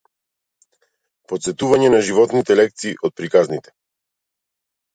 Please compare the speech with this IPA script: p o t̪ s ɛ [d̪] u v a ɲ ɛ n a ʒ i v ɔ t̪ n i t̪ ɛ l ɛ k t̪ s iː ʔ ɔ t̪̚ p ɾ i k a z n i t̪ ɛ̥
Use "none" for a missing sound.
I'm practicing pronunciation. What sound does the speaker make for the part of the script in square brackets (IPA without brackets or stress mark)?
t̪